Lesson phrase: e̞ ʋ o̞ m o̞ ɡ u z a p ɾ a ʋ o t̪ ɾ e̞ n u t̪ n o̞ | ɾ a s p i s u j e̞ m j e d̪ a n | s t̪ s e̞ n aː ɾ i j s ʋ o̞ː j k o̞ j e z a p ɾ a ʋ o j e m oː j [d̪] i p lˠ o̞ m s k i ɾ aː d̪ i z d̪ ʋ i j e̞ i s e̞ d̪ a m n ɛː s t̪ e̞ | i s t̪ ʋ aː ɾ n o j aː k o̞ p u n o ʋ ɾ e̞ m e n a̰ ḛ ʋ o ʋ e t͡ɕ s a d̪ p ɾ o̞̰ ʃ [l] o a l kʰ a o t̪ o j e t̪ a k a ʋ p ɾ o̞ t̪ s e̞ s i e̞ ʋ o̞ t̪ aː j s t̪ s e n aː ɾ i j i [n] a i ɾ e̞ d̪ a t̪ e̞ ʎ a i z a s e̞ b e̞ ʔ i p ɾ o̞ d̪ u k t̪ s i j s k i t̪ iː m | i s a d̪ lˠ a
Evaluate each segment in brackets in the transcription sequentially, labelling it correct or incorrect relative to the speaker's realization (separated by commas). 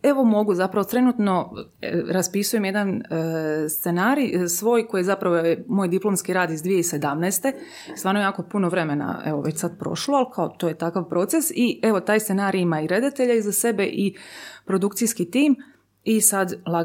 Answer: correct, correct, incorrect